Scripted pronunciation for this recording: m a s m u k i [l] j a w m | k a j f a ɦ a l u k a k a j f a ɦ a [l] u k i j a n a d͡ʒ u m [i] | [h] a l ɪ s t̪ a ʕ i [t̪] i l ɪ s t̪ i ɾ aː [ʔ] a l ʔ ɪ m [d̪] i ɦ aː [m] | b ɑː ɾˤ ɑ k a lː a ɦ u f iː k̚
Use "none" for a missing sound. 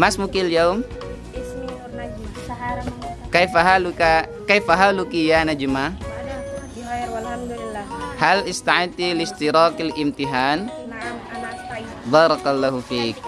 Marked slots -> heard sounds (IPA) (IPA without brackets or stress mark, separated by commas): l, l, a, h, t̪, k, t̪, n